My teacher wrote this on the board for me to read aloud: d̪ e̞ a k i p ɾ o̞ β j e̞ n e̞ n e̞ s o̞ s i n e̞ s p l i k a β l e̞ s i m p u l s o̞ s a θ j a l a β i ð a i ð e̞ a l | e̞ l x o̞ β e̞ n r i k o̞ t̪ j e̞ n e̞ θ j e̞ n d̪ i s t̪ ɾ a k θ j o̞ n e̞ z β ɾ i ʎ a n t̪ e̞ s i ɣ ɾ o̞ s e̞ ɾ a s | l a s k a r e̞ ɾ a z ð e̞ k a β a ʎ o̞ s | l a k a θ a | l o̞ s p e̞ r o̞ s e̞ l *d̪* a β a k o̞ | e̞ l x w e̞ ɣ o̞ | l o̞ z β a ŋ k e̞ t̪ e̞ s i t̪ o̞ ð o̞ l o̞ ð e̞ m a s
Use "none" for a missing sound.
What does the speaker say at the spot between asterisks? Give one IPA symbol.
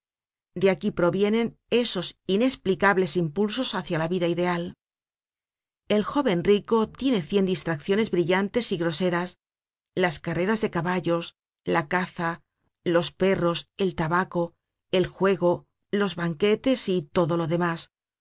t̪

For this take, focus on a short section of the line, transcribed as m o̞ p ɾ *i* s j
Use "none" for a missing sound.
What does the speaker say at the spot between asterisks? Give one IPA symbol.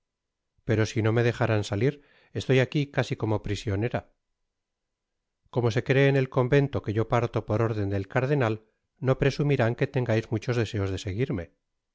i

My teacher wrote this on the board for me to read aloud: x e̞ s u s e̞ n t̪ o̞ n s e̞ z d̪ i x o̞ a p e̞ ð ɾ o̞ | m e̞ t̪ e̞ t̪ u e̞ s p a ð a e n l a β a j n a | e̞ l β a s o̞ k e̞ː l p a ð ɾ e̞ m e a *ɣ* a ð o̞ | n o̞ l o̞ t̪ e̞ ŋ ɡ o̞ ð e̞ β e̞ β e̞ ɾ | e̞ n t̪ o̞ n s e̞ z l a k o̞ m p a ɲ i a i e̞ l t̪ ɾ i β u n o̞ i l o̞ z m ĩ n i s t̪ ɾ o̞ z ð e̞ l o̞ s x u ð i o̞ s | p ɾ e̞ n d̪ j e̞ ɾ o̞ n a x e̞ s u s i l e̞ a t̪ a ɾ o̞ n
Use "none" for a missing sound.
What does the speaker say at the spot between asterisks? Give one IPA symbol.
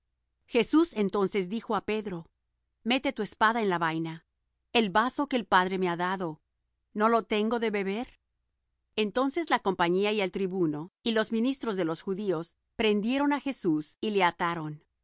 ð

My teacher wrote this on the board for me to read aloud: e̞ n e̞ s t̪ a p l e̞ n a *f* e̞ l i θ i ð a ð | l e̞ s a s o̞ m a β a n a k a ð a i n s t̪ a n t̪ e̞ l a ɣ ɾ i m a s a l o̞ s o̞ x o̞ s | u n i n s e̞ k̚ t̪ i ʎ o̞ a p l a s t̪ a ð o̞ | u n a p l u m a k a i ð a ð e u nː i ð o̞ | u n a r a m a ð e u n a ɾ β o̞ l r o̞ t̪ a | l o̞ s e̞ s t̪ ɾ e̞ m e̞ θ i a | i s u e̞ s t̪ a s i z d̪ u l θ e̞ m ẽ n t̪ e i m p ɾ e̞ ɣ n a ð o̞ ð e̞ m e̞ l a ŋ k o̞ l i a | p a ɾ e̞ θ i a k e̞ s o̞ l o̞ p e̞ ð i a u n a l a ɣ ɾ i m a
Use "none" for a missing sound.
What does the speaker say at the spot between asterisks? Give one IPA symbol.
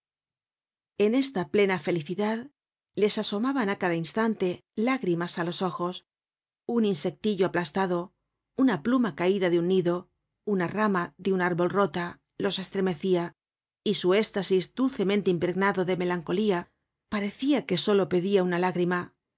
f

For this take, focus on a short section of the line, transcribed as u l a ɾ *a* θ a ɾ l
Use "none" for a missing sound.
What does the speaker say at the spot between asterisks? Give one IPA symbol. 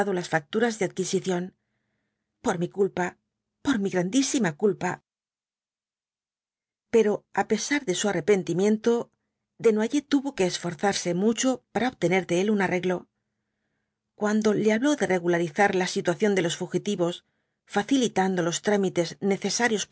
i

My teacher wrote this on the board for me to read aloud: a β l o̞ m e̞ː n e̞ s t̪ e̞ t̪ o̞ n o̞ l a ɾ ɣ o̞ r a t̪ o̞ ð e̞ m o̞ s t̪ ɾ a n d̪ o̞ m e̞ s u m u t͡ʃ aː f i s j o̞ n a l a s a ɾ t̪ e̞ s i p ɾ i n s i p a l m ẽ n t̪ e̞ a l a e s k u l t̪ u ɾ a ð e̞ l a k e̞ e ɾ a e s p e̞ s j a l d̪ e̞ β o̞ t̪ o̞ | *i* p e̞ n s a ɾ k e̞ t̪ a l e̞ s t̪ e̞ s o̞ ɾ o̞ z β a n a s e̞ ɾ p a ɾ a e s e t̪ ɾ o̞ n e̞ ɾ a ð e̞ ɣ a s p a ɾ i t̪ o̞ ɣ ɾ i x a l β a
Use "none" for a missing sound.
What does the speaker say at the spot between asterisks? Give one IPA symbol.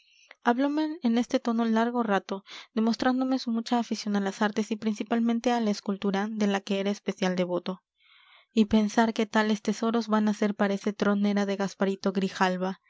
i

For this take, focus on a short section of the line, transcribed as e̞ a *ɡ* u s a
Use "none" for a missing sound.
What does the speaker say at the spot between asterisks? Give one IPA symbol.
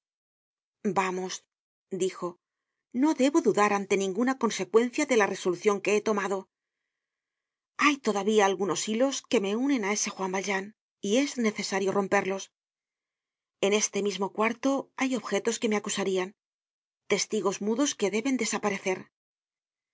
k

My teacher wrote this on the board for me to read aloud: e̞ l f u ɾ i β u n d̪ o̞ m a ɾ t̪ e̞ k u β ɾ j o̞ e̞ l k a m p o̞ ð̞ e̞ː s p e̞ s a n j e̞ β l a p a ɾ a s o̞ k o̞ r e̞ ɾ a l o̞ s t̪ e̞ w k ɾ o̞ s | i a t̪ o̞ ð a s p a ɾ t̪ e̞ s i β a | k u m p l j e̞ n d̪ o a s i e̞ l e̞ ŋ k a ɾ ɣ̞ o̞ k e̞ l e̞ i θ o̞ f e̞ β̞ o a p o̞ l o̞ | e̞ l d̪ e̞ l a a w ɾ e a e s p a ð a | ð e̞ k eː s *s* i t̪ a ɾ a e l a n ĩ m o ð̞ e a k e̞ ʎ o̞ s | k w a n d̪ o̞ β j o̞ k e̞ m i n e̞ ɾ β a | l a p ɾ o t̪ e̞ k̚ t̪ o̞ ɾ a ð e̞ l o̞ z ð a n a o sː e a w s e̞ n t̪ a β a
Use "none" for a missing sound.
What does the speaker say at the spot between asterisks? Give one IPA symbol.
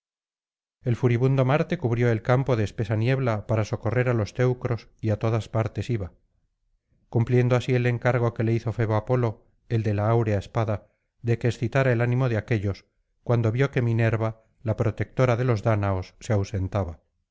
θ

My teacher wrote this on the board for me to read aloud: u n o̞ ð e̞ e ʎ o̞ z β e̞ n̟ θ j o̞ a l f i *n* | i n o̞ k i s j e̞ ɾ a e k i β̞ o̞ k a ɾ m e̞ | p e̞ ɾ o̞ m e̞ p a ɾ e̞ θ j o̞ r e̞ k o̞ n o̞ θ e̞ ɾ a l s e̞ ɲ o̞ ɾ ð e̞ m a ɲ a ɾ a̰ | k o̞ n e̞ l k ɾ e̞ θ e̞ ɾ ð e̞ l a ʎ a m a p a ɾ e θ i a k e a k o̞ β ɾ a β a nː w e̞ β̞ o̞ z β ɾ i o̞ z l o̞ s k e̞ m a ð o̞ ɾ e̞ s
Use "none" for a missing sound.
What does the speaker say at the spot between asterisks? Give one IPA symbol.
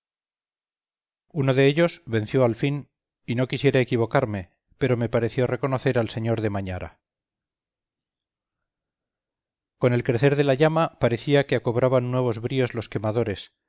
n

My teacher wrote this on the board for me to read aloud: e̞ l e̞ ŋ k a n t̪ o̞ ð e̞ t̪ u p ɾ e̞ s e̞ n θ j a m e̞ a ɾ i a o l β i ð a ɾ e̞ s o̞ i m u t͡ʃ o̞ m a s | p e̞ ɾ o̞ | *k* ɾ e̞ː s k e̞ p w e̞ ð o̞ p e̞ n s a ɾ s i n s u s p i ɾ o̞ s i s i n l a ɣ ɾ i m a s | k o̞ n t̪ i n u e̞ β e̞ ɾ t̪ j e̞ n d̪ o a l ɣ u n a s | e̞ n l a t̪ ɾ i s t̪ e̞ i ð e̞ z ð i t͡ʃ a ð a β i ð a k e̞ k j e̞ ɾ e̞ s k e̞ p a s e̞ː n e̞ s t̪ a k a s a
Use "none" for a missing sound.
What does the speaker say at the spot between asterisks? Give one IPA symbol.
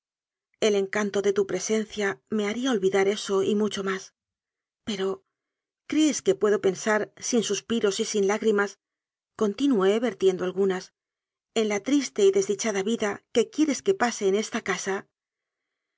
k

